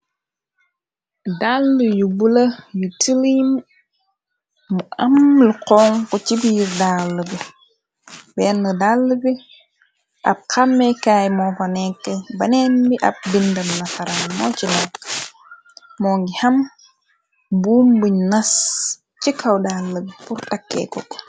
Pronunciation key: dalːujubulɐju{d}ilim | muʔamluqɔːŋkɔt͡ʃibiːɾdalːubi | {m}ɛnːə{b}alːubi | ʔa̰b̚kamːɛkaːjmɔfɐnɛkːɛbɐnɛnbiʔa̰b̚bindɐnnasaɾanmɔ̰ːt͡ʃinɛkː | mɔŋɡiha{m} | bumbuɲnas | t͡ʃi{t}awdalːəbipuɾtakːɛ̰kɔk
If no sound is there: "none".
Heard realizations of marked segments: t, b, d, m, k

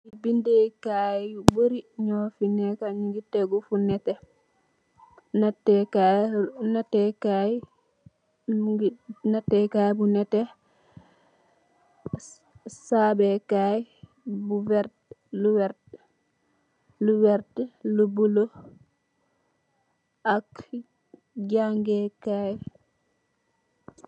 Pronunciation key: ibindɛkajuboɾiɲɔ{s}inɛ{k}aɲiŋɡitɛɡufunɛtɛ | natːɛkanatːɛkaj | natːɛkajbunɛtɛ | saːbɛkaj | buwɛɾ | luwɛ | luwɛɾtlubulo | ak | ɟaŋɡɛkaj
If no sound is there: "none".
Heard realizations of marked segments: f, k

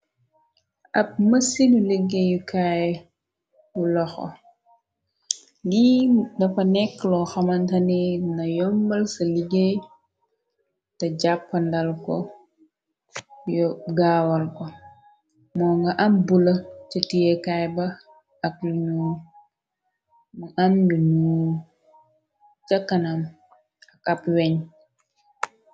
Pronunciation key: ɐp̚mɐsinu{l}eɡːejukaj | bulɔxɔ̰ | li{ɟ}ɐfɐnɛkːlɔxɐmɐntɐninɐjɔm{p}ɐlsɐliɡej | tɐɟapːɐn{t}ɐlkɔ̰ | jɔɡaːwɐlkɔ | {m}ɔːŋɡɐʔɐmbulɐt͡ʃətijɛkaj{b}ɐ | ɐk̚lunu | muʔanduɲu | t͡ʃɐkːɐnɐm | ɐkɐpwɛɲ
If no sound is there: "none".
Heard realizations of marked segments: l, d, b, d, m, b

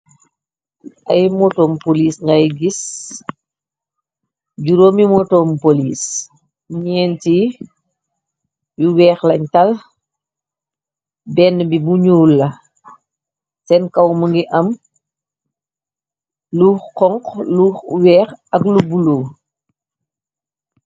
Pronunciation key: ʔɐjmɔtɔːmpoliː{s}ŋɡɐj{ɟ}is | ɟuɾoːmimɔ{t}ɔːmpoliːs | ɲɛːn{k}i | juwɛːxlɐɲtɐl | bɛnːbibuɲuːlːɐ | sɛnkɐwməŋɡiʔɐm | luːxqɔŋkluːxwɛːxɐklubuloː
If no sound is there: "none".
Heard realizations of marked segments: s, ɡ, t, t

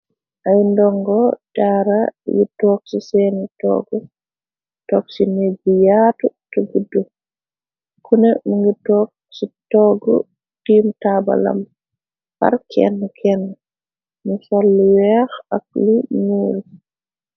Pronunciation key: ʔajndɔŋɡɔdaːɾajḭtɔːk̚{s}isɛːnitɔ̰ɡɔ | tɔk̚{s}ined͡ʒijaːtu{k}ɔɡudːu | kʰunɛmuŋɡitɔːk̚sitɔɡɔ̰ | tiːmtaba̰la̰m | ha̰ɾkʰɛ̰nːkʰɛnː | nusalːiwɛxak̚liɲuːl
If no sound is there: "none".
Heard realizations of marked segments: s, s, t

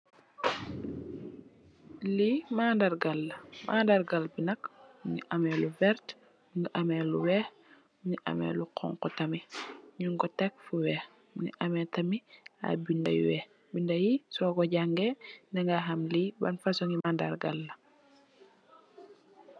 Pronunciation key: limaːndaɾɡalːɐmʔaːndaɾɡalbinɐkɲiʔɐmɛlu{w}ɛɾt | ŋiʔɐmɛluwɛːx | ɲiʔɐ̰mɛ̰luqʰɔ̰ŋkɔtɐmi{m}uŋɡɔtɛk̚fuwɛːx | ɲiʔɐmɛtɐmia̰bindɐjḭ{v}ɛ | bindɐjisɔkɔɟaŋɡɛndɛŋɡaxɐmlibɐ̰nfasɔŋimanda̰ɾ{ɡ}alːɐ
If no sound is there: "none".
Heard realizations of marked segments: v, ɲ, w, ɡ

